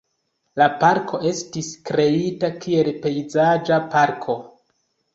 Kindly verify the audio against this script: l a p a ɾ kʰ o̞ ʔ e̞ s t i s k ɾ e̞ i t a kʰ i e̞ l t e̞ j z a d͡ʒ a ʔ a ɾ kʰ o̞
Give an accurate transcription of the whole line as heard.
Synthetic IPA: l a p a ɾ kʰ o̞ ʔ e̞ s t i s k ɾ e̞ i t a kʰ i e̞ l p e̞ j z a d͡ʒ a p a ɾ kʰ o̞